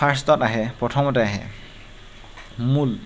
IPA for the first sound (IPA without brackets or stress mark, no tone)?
a